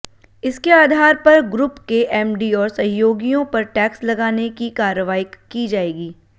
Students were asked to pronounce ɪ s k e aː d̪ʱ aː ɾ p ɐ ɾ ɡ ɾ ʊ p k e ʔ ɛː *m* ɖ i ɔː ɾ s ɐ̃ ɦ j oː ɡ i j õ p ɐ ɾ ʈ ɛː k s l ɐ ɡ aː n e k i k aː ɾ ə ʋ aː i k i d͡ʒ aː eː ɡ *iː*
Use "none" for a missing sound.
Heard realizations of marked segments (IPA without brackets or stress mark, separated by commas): m, iː